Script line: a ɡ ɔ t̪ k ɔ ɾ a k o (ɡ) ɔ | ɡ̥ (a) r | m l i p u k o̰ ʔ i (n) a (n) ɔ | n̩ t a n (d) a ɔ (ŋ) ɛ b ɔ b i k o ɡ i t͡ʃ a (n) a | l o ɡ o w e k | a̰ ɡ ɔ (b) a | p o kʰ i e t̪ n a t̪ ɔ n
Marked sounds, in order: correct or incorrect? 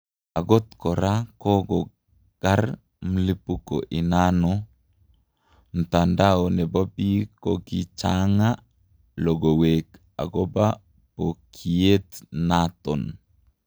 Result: correct, correct, correct, correct, correct, incorrect, incorrect, correct

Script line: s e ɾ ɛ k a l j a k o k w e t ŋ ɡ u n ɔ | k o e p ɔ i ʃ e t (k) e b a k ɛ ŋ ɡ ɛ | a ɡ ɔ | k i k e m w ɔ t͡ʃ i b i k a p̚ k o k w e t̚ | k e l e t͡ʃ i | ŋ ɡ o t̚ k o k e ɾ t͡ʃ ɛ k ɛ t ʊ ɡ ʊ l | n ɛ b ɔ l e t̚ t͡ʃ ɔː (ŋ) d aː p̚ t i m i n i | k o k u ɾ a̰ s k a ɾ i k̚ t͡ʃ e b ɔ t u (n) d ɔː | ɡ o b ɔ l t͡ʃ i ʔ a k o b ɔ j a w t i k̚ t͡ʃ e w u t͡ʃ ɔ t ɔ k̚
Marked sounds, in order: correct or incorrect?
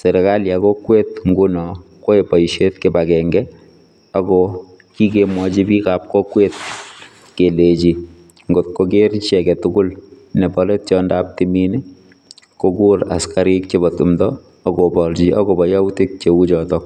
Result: correct, incorrect, incorrect

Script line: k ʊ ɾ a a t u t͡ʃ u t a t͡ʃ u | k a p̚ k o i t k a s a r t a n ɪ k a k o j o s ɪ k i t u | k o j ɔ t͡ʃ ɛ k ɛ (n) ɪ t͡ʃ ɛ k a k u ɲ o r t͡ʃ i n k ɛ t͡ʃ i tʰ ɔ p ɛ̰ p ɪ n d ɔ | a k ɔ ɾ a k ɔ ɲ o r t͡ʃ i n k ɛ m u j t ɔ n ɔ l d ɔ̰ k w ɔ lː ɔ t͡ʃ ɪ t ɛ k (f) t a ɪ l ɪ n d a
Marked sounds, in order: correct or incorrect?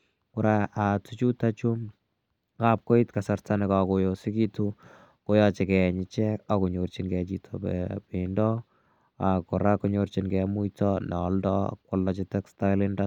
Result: incorrect, incorrect

